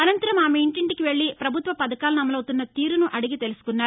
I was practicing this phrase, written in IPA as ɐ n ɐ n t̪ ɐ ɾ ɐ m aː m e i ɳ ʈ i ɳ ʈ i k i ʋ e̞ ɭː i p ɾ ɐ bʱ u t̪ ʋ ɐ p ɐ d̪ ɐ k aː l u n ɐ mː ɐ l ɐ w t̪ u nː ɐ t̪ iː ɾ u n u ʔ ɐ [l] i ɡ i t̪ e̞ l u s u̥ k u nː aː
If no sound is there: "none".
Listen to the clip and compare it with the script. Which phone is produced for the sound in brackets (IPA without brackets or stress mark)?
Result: ɽ